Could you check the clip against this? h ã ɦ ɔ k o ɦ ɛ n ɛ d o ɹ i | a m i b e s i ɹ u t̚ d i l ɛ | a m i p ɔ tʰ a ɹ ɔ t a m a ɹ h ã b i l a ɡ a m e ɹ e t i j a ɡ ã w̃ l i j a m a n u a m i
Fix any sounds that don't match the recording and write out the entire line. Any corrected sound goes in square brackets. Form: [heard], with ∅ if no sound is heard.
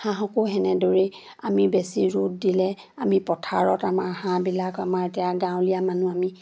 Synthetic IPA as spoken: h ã ɦ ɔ k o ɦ ɛ n ɛ d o ɹ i | a m i b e s i ɹ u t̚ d i l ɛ | a m i p ɔ tʰ a ɹ ɔ t a m a ɹ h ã b i l a [k] a m [a] ɹ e t i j a ɡ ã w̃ l i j a m a n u a m i

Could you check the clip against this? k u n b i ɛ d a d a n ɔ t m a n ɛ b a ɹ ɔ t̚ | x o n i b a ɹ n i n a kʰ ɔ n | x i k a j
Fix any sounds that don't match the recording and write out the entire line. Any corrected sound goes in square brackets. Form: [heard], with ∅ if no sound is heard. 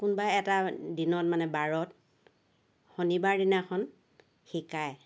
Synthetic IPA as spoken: k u n b [a] ɛ [t] a d [i] n ɔ t m a n ɛ b a ɹ ɔ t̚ | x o n i b a ɹ [d] i n a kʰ ɔ n | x i k a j

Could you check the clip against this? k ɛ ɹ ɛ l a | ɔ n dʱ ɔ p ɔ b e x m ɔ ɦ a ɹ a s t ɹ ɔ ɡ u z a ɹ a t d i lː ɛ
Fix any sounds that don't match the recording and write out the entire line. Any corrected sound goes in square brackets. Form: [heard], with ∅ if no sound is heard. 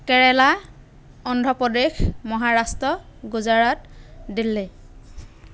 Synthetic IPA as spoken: k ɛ ɹ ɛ l a | ɔ n dʱ ɔ p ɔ [d] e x m ɔ ɦ a ɹ a s t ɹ ɔ ɡ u z a ɹ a t d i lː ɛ

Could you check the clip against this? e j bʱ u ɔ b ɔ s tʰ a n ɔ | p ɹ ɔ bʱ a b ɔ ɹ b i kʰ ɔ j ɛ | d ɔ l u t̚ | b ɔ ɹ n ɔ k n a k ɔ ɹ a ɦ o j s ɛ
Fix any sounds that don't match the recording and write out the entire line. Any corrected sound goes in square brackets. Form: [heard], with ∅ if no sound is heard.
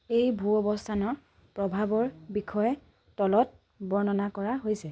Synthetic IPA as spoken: e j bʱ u ɔ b ɔ s tʰ a n ɔ | p ɹ ɔ bʱ a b ɔ ɹ b i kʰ ɔ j ɛ | [t] ɔ l [ɔ] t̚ | b ɔ ɹ n ɔ [∅] n a k ɔ ɹ a ɦ o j s ɛ

